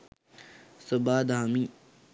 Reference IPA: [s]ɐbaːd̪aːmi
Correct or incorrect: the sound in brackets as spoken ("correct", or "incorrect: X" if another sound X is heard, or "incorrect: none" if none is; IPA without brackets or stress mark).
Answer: correct